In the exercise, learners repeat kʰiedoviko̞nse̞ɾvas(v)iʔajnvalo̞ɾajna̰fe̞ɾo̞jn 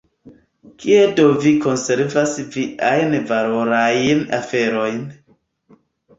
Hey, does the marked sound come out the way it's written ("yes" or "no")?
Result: yes